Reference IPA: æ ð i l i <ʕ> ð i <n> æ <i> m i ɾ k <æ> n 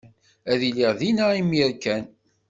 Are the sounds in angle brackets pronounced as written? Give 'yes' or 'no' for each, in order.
no, yes, yes, yes

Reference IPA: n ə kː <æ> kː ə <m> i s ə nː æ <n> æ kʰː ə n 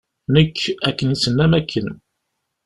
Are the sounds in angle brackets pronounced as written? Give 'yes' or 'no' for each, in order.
yes, no, no

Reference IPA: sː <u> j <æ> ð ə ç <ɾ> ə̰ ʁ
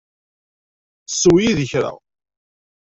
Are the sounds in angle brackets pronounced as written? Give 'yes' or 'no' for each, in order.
no, no, yes

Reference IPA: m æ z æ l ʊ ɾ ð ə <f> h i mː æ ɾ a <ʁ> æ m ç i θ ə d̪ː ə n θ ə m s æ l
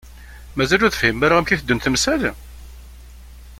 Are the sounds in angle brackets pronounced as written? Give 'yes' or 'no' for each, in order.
yes, yes

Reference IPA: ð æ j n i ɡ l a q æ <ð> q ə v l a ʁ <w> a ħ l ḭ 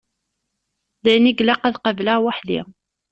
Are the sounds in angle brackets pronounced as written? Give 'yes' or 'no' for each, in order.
yes, yes

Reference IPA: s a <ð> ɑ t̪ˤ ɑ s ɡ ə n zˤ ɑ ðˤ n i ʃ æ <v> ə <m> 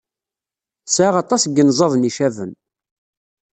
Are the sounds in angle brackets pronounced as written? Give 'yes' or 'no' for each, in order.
no, yes, no

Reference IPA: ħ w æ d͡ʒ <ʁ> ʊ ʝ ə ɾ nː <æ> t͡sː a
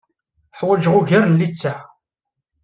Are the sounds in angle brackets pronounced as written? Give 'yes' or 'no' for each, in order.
yes, no

